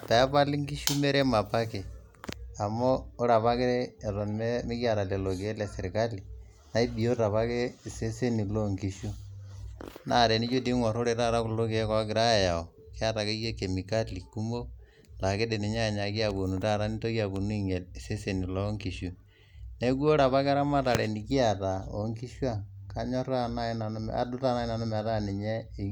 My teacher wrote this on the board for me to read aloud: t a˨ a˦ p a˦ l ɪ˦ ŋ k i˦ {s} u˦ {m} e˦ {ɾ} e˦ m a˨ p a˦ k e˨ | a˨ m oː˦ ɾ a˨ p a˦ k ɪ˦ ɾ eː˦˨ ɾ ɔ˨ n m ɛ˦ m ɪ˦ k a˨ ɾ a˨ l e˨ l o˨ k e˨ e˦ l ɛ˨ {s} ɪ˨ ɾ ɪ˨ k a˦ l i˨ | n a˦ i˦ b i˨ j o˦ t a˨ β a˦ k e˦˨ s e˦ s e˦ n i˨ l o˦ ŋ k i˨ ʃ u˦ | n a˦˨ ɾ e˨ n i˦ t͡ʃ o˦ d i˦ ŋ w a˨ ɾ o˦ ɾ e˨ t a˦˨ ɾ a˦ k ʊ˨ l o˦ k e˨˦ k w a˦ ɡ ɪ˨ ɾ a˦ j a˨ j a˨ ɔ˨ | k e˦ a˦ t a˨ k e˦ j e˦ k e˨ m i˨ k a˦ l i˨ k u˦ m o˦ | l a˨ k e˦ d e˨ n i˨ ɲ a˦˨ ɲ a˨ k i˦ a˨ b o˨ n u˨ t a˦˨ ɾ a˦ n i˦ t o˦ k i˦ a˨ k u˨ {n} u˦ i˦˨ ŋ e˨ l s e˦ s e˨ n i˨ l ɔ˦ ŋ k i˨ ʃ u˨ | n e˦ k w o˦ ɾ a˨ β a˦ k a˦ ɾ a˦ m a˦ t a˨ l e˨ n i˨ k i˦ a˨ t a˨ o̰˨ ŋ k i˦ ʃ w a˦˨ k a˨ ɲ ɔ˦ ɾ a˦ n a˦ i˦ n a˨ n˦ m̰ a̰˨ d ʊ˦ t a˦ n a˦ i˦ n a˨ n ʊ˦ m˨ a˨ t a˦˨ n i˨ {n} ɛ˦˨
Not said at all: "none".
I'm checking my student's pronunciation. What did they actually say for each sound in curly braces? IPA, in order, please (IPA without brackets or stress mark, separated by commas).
ʃ, m, ɾ, s, n, ɲ